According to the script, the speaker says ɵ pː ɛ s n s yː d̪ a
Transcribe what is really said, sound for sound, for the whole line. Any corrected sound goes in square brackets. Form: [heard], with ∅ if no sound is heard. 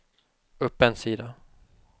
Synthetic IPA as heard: ɵ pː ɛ [∅] n s [iː] d̪ a

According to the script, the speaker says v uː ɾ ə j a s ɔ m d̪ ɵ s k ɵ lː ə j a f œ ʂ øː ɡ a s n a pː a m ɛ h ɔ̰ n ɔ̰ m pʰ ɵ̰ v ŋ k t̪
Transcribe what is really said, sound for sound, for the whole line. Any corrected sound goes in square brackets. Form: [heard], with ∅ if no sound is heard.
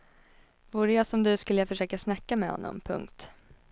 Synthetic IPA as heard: v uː ɾ ə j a s ɔ m d̪ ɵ s k ɵ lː ə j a f œ ʂ øː [k] a s n a [kː] a m ɛ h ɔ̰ [nː] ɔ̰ m pʰ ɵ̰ [∅] ŋ k t̪

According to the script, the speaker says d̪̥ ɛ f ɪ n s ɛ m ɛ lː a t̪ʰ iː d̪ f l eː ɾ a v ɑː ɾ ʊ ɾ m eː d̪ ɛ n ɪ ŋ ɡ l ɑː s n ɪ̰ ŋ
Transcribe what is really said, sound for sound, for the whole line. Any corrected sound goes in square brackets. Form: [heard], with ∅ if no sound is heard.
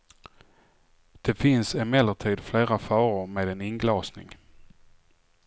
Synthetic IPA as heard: d̪̥ ɛ f ɪ n s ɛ m ɛ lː [ə] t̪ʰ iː d̪ f l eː ɾ a [f] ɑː ɾ ʊ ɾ m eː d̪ ɛ n ɪ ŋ ɡ l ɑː s n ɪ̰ ŋ

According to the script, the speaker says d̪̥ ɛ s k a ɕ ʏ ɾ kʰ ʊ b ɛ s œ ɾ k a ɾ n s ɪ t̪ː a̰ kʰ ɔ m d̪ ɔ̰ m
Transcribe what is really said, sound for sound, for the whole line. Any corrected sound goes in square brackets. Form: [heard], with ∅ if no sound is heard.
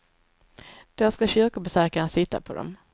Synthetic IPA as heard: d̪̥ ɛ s k a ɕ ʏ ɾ [k] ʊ b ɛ s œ ɾ k a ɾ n s ɪ t̪ː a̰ [pʰ] ɔ [∅] d̪ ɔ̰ m

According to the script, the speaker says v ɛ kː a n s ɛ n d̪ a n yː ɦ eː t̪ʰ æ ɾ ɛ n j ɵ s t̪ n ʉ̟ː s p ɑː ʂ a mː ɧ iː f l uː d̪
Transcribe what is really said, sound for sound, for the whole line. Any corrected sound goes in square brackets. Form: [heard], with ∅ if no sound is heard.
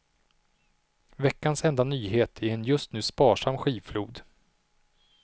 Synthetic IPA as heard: v ɛ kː a n s ɛ n d̪ a n yː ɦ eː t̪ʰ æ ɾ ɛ n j ɵ s t̪ n ʉ̟ː s p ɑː ʂ a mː ɧ iː f l uː d̪

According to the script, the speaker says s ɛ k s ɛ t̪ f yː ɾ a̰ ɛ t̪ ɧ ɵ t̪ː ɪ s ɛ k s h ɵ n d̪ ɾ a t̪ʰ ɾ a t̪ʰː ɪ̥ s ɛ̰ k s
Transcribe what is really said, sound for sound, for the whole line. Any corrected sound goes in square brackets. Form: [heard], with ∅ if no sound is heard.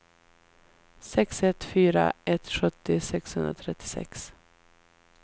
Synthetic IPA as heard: s ɛ k s ɛ t̪ f yː ɾ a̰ ɛ t̪ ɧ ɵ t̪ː ɪ s ɛ k s h ɵ n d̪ ɾ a t̪ʰ ɾ [ɛ] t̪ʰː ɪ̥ s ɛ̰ k s

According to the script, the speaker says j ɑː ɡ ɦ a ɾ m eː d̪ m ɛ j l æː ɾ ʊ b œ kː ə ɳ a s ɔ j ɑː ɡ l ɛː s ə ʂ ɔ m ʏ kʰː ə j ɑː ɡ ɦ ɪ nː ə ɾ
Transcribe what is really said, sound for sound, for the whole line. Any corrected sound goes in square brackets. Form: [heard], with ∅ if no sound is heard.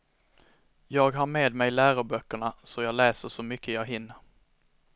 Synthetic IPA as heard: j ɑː ɡ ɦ a ɾ m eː d̪ m ɛ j l æː ɾ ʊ b œ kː ə ɳ a s ɔ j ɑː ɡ l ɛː s ə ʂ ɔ m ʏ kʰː ə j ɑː ɡ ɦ ɪ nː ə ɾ

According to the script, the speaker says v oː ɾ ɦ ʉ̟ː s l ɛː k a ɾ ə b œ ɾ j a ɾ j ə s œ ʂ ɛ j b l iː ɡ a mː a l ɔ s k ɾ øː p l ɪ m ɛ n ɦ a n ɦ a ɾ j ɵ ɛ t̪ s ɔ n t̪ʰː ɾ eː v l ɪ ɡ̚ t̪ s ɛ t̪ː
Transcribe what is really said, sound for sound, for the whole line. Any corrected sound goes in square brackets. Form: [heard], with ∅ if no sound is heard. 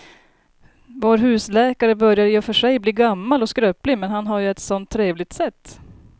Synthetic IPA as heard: v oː ɾ ɦ ʉ̟ː s l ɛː k a ɾ ə b œ ɾ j a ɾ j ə [f] œ ʂ ɛ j b l iː ɡ a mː a l ɔ s k ɾ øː p l ɪ m ɛ n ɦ a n ɦ a ɾ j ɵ ɛ t̪ s ɔ n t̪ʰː ɾ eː v l ɪ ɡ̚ t̪ s ɛ t̪ː

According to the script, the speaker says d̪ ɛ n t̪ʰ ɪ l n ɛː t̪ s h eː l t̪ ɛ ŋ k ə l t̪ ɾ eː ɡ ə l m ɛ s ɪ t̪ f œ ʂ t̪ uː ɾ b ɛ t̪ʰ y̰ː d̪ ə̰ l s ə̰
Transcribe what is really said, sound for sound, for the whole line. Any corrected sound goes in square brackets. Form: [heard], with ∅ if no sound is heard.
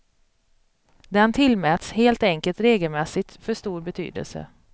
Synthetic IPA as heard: d̪ ɛ n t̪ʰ ɪ l [m] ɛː t̪ s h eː l t̪ ɛ ŋ k ə l t̪ ɾ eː ɡ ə l m ɛ s ɪ t̪ f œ ʂ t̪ uː ɾ b ɛ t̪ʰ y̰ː d̪ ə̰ l s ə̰

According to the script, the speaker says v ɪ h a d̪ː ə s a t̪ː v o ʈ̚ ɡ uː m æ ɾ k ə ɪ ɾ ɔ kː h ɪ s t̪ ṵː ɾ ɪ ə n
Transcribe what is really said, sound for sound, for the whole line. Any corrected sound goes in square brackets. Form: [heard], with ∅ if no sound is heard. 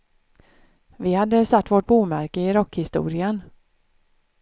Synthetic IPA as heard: v ɪ h a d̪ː ə s a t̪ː v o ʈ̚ [b] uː m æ ɾ k ə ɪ ɾ ɔ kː h ɪ s t̪ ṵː ɾ ɪ ə n

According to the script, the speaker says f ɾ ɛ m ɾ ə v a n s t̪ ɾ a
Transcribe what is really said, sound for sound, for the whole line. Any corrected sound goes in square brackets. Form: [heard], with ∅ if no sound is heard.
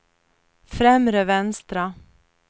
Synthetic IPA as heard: f ɾ ɛ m ɾ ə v [ɛ] n s t̪ ɾ a

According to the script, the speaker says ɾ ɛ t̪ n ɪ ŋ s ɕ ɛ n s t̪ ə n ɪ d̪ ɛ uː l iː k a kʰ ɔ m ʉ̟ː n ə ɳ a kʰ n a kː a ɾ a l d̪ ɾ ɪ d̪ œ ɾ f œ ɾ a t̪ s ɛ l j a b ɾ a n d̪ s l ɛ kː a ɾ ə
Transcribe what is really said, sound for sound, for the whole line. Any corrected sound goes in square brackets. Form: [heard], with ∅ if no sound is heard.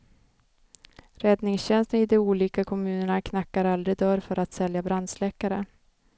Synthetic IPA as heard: ɾ ɛ [d̪] n ɪ ŋ s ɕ ɛ n s t̪ ə n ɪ d̪ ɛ uː l iː k a kʰ ɔ m ʉ̟ː n ə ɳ a kʰ n a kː a ɾ a l d̪ ɾ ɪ d̪ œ ɾ f œ ɾ a t̪ s ɛ l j a b ɾ a n d̪ s l ɛ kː a ɾ ə

